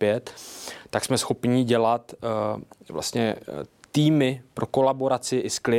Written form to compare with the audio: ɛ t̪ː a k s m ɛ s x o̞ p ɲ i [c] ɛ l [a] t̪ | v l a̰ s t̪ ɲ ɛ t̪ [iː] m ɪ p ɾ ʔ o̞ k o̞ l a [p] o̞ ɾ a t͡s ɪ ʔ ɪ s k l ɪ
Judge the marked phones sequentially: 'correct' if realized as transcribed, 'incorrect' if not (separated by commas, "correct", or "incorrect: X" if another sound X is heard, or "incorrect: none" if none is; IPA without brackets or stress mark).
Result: incorrect: ɟ, correct, correct, incorrect: b